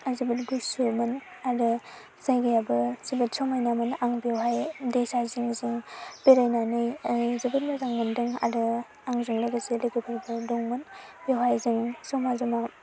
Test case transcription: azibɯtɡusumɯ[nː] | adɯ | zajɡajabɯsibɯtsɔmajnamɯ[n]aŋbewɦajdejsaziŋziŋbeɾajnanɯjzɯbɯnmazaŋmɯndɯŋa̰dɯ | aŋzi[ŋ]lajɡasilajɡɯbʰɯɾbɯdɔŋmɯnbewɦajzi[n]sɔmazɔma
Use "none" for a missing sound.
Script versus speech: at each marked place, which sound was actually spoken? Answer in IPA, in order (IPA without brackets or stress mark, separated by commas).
n, n, ŋ, ŋ